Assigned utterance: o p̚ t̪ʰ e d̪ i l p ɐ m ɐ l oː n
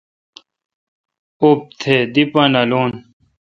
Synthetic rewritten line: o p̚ t̪ʰ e d̪ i p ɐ n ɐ l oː n